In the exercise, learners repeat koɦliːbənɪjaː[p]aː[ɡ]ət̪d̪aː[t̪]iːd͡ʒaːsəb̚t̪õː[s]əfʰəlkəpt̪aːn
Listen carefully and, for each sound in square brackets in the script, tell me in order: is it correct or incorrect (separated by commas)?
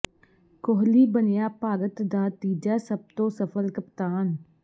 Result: correct, correct, correct, correct